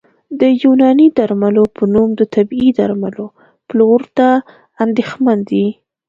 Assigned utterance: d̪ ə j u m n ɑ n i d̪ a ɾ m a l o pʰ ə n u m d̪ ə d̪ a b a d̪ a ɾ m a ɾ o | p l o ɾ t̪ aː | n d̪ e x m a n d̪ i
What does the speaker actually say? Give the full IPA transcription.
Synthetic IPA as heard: d̪ ə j u n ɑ n i d̪ a ɾ m a l o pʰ ə n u m d̪ ə t̪ a b i d̪ a ɾ m a l o | p l o ɾ t̪ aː | n d̪ e x m a n d̪ i